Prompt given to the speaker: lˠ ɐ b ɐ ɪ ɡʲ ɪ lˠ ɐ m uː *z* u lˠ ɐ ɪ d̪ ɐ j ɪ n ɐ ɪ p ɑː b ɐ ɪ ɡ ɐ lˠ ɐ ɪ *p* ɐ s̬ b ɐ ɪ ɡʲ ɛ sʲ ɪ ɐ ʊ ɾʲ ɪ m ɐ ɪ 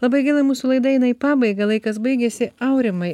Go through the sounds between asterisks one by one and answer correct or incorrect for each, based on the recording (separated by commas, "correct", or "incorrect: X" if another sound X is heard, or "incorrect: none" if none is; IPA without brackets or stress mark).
incorrect: s, incorrect: k